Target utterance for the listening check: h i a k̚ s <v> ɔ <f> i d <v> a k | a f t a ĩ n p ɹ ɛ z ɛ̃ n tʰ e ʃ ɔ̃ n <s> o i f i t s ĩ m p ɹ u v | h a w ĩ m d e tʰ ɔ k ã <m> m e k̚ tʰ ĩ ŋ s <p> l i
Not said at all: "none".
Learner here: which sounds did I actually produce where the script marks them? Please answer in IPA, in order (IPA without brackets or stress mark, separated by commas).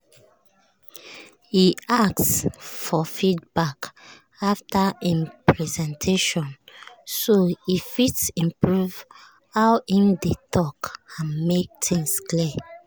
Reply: f, f, b, s, n, k